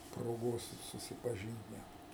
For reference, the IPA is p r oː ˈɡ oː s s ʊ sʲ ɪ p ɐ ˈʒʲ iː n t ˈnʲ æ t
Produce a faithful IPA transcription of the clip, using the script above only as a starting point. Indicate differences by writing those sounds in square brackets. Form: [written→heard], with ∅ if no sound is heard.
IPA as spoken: p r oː ˈɡ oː s s ʊ sʲ ɪ p ɐ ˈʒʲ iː n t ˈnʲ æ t